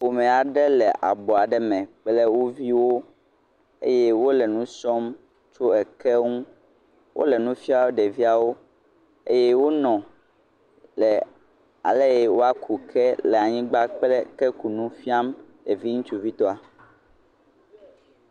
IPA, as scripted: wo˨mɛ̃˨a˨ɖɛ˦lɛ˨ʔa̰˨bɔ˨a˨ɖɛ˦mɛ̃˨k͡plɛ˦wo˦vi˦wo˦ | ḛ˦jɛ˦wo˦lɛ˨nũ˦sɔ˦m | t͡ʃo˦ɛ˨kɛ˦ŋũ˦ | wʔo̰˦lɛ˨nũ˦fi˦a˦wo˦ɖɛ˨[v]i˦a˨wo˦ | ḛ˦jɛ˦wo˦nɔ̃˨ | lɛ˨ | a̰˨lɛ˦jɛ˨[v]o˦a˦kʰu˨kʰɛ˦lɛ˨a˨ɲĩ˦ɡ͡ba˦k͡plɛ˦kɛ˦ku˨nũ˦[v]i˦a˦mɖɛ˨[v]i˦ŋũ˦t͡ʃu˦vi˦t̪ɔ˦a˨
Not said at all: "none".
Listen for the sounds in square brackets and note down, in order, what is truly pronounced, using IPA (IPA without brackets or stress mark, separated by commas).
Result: v, w, f, v